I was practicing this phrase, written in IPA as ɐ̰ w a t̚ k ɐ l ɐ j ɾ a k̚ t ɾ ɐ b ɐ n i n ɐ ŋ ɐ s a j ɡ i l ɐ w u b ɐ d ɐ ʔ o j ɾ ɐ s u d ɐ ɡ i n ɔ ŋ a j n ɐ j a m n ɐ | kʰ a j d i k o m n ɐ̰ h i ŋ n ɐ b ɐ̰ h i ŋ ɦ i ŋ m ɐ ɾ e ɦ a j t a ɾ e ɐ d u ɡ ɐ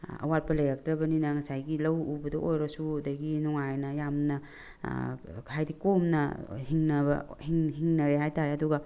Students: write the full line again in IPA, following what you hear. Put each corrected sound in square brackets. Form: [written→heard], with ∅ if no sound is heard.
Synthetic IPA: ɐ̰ w a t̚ [k→p] ɐ l ɐ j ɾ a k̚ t ɾ ɐ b ɐ n i n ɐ ŋ ɐ s a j ɡ i l ɐ w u b ɐ d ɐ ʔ o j ɾ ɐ s u d ɐ ɡ i n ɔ ŋ a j n ɐ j a m n ɐ | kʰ a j d i k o m n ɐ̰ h i ŋ n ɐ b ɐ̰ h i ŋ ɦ i ŋ [m→n] ɐ ɾ e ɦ a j t a ɾ e ɐ d u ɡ ɐ